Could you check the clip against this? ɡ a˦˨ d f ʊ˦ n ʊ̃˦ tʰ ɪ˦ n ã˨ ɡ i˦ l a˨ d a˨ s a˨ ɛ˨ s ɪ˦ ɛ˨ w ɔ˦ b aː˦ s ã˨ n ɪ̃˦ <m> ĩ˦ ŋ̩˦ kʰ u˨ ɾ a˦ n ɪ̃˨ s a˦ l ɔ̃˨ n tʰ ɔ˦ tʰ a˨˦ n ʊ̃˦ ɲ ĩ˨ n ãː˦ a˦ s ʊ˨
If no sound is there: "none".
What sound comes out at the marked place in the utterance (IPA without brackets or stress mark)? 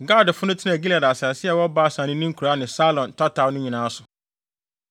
n